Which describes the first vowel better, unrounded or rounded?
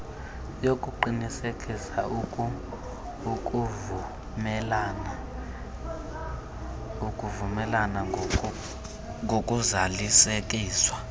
rounded